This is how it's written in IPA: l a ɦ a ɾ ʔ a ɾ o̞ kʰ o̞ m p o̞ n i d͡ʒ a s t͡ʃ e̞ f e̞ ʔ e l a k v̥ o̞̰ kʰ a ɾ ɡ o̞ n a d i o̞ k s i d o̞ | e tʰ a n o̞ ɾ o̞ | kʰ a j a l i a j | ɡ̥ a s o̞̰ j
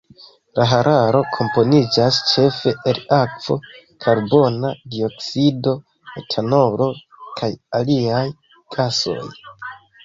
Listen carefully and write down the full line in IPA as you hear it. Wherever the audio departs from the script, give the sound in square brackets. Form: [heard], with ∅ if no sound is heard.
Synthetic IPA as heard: l a ɦ a ɾ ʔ a ɾ o̞ kʰ o̞ m p o̞ n i d͡ʒ a s t͡ʃ e̞ f e̞ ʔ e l a k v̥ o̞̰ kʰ a ɾ [b] o̞ n a d i o̞ k s i d o̞ | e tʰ a n o̞ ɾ o̞ | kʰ a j a l i a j | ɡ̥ a s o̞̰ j